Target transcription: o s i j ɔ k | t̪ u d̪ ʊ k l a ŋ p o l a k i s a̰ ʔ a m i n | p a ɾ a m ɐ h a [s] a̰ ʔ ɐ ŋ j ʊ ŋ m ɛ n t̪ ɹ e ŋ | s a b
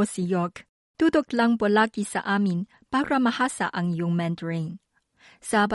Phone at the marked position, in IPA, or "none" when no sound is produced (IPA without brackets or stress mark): s